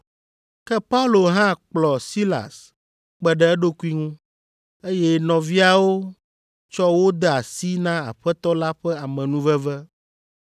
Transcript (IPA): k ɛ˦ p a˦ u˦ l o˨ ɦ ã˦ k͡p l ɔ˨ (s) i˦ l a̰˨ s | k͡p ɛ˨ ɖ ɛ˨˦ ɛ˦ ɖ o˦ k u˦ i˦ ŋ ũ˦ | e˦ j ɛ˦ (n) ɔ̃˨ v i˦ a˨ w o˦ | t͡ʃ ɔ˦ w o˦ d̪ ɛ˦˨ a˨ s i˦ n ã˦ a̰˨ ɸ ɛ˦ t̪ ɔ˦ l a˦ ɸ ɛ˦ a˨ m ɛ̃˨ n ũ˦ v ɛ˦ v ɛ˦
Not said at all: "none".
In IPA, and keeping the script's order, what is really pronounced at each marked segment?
s, n

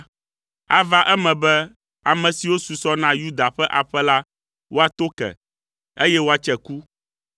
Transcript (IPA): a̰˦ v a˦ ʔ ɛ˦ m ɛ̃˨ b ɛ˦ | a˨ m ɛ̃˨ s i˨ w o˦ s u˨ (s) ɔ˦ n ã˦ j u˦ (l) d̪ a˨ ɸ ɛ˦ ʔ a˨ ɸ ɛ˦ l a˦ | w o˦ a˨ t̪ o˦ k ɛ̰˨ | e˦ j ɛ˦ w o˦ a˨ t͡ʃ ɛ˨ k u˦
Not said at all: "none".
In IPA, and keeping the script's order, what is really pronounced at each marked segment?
s, none

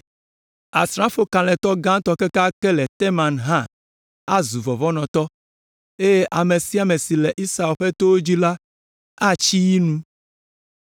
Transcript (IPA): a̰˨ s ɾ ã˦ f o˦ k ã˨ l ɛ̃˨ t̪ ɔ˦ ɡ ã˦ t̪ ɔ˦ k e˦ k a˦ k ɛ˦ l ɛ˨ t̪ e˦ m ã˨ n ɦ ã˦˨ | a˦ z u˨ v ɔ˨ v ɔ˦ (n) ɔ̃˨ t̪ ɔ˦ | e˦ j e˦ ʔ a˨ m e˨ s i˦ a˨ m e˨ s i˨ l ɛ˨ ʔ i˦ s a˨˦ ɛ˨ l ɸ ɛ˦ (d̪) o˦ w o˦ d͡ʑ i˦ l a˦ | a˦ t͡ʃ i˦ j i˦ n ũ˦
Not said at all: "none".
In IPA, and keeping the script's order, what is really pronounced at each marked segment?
n, t̪

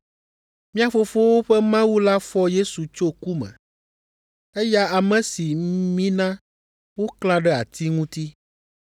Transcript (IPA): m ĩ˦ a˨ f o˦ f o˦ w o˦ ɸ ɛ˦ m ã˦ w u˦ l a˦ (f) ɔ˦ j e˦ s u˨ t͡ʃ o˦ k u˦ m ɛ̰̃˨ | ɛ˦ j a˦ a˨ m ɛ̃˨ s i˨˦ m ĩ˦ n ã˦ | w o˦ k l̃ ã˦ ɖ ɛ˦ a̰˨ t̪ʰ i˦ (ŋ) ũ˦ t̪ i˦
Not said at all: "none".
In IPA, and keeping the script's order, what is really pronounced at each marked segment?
f, ŋ

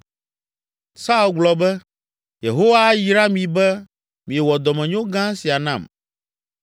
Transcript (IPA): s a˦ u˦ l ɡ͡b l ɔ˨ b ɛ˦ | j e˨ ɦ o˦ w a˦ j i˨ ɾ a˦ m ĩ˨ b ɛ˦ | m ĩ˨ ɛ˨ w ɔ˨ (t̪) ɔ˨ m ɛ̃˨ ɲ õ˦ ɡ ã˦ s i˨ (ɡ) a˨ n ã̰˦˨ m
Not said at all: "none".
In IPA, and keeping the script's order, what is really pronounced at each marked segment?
d̪, none

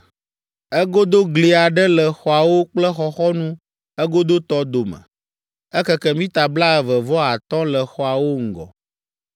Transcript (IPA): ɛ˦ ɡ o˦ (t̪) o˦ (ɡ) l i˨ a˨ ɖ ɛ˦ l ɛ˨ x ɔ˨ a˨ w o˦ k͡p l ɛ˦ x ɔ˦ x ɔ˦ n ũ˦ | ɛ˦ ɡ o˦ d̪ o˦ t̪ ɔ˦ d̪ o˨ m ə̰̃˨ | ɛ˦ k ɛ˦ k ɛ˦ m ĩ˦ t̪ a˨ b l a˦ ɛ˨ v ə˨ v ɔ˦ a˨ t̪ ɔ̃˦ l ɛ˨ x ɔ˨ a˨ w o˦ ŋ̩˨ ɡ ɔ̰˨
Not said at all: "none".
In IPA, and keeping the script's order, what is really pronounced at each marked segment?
d̪, ɡ

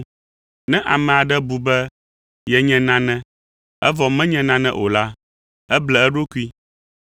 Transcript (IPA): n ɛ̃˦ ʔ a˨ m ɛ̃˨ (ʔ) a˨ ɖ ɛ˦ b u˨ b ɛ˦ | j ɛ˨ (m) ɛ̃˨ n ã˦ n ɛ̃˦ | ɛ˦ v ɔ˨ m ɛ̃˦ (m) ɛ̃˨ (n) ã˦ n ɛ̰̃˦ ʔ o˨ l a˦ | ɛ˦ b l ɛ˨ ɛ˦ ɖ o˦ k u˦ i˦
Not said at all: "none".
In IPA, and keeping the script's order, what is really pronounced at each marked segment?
none, ɲ, ɲ, n

